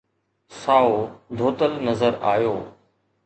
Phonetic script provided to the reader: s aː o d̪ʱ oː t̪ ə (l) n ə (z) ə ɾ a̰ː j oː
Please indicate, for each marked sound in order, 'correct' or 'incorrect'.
correct, correct

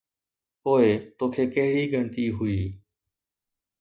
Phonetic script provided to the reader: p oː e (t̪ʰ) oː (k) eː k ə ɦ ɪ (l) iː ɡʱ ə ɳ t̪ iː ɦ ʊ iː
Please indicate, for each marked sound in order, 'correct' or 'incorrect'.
incorrect: t̪, incorrect: kʰ, incorrect: ɽ

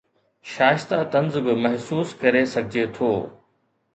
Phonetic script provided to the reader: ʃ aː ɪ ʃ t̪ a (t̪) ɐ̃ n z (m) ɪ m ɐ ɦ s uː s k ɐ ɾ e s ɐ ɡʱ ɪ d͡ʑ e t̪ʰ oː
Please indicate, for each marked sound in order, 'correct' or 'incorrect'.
correct, incorrect: b

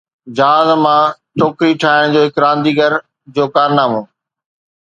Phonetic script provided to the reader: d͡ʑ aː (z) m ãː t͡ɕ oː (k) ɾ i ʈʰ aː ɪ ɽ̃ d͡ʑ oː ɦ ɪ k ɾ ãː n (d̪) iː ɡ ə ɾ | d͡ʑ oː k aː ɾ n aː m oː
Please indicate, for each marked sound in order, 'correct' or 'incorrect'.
correct, correct, correct

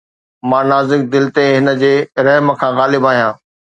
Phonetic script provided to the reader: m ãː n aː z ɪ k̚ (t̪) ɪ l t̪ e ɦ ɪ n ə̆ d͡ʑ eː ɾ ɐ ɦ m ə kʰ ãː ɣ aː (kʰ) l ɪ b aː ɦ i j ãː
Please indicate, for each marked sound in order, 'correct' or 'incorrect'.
incorrect: d̪, incorrect: none

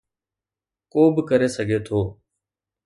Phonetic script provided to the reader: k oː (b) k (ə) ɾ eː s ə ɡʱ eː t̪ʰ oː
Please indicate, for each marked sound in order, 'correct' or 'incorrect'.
correct, correct

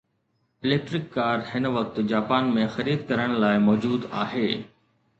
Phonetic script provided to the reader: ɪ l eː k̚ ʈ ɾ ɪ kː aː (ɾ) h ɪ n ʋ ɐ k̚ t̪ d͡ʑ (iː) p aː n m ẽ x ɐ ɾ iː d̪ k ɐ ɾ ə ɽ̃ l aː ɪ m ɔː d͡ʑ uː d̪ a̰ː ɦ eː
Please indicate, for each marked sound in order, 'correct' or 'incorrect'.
correct, incorrect: aː

